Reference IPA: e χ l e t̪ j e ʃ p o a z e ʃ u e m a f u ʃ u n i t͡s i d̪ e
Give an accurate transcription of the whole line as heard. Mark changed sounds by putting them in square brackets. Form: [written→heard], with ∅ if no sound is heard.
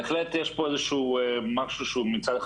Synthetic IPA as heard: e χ l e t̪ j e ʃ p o [a→e] z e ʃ u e m a [f→ʃ] u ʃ u [n→m] i t͡s [i→a] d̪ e